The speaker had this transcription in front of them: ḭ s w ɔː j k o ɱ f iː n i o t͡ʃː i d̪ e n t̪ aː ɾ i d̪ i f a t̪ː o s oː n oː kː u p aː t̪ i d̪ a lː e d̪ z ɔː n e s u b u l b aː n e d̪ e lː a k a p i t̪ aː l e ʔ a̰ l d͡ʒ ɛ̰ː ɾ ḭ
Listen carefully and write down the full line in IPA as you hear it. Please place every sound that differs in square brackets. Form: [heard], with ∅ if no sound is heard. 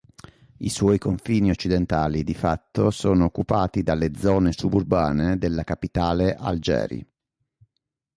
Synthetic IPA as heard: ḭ s w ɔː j k o ɱ f iː n i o t͡ʃː i d̪ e n t̪ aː [l] i d̪ i f a t̪ː o s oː n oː kː u p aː t̪ i d̪ a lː e d̪ z ɔː n e s u b u [r] b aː n e d̪ e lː a k a p i t̪ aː l e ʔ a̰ l d͡ʒ ɛ̰ː ɾ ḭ